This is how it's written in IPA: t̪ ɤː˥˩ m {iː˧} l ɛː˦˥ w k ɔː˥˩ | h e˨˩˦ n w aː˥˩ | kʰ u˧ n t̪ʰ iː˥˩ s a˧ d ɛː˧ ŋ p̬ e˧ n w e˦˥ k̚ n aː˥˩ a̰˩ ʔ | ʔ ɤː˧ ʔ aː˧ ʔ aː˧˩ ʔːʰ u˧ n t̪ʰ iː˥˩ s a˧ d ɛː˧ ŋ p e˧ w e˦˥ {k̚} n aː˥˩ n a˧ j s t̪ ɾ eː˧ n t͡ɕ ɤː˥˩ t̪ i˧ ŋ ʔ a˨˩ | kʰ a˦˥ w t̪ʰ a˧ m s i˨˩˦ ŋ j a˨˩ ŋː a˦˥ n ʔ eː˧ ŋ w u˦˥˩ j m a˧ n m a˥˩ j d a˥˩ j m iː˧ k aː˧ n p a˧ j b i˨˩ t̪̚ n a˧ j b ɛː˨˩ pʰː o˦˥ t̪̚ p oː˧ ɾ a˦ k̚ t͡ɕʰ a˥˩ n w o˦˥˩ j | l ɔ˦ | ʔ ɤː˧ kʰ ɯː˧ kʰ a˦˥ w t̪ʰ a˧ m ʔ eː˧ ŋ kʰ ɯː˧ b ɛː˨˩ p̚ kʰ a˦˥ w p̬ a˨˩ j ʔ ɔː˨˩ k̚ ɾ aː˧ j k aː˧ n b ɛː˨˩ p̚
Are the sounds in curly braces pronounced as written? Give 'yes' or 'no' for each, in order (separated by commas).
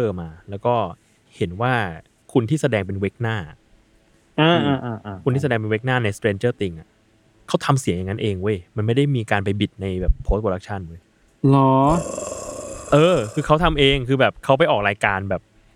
no, yes